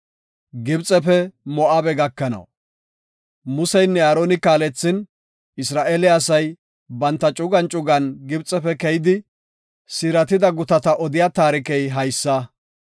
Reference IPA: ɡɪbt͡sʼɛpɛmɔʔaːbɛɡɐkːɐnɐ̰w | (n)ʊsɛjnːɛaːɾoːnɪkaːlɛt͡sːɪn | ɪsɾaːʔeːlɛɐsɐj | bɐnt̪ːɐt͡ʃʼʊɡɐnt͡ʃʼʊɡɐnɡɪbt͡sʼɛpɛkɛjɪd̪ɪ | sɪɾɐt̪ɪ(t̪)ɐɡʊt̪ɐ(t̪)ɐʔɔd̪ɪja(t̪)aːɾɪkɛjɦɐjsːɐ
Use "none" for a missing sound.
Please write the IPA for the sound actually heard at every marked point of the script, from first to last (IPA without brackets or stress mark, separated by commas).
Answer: m, d̪, t̪, t̪